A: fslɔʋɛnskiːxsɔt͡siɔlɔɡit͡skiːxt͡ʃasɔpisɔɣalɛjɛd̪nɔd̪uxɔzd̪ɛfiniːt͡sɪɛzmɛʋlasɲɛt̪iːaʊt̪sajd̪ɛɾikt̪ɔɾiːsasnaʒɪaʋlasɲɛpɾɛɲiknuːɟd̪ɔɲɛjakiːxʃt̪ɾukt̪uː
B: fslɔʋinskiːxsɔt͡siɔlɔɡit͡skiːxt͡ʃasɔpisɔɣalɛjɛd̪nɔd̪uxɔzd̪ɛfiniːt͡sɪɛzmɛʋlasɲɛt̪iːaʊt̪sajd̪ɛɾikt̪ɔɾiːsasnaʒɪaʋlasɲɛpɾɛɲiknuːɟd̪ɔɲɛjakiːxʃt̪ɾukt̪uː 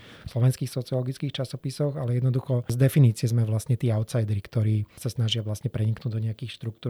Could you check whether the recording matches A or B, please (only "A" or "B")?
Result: A